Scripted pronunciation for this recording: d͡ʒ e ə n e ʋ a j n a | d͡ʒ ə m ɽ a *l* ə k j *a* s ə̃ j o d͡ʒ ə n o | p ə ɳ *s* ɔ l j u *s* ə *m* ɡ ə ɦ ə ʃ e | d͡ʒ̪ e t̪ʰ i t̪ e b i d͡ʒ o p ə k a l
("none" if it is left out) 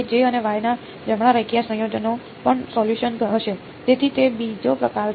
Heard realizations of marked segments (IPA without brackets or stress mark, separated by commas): ɾ, a, s, ʃ, n